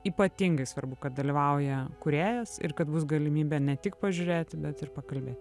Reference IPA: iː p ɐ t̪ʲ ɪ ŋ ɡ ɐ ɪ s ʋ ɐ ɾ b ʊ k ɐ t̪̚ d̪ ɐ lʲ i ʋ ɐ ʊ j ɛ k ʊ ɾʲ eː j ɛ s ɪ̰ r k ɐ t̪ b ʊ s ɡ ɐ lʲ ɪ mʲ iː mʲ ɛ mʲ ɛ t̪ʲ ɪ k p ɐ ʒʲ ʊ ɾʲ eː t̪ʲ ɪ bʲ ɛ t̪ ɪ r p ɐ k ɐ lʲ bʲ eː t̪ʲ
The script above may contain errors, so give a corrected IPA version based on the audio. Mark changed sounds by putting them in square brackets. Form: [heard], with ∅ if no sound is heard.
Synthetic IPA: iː p ɐ t̪ʲ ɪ ŋ ɡ ɐ ɪ s ʋ ɐ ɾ b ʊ k ɐ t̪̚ d̪ ɐ lʲ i ʋ ɐ ʊ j ɛ k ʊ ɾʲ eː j ɛ s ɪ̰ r k ɐ t̪ b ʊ s ɡ ɐ lʲ ɪ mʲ iː [bʲ] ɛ [nʲ] ɛ t̪ʲ ɪ k p ɐ ʒʲ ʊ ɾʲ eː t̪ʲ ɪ bʲ ɛ t̪ ɪ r p ɐ k ɐ lʲ bʲ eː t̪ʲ